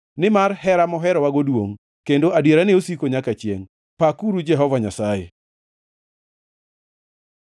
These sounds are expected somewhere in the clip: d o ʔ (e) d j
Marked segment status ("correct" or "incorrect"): incorrect